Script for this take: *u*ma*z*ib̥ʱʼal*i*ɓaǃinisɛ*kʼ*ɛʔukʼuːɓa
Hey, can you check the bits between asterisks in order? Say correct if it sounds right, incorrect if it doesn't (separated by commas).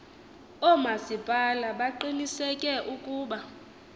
incorrect, incorrect, incorrect, correct